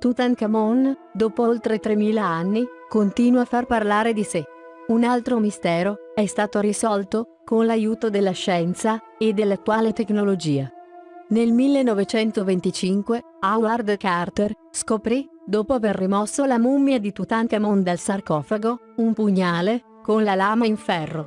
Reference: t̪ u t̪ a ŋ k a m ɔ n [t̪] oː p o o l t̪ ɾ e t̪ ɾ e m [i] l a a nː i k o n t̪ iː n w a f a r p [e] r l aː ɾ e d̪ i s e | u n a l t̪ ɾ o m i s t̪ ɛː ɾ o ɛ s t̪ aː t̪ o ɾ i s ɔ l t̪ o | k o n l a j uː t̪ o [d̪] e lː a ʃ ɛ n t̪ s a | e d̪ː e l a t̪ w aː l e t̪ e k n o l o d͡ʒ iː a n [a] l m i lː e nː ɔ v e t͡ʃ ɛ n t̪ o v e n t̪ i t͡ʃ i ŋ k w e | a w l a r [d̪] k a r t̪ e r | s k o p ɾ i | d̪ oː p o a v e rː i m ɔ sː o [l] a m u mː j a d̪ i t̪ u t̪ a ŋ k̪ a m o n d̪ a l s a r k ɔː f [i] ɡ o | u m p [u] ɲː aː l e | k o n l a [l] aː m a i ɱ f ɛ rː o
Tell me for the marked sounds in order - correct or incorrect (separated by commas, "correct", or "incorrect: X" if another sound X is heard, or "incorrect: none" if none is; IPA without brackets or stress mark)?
incorrect: d̪, incorrect: iː, incorrect: a, correct, incorrect: e, correct, correct, incorrect: a, correct, correct